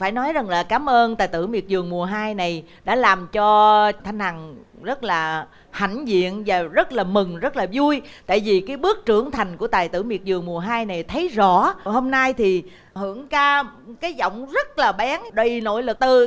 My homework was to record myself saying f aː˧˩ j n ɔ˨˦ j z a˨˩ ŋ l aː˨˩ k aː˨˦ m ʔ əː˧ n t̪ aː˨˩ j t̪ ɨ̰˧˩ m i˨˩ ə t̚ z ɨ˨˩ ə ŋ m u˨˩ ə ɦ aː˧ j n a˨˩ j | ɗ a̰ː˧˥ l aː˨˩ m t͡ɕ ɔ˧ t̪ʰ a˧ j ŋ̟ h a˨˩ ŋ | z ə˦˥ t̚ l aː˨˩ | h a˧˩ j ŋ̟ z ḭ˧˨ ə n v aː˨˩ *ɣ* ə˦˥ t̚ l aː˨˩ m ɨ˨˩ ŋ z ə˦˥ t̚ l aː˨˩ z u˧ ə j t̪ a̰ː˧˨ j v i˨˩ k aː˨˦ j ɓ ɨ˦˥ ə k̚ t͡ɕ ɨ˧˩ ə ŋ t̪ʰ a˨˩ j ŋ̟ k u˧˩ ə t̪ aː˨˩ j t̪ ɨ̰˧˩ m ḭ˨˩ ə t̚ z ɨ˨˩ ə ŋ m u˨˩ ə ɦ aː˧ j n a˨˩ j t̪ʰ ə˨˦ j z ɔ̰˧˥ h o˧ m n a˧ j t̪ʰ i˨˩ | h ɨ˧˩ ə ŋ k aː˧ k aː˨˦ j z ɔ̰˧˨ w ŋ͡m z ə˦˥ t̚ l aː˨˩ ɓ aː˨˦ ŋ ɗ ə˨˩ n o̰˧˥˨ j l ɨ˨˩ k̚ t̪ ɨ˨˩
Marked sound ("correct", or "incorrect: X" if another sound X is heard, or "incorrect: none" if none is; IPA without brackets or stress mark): incorrect: z